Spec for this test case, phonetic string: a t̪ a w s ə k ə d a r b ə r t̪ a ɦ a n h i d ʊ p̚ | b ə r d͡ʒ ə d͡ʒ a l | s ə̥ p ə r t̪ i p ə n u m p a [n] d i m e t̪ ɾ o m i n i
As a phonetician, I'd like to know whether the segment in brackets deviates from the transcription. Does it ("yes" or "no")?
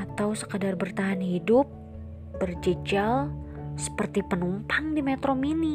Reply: yes